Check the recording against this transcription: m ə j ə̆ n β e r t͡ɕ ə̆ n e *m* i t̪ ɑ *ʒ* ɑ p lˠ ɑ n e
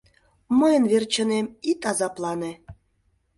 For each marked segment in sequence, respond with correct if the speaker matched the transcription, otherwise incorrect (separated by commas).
correct, incorrect